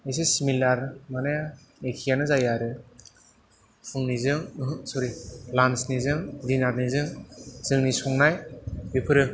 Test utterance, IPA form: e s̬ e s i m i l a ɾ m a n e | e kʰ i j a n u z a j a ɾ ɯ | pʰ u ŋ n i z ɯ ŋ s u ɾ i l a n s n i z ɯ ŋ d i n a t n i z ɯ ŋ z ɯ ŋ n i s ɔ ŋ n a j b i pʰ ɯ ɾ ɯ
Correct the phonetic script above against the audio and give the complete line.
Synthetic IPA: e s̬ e s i m i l a ɾ m a n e | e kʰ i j a n ɯ z a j a ɾ ɯ | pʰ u ŋ n i z ɯ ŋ s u ɾ i l a n s n i z ɯ ŋ d i n a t n i z ɯ ŋ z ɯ ŋ n i s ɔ ŋ n a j b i pʰ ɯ ɾ ɯ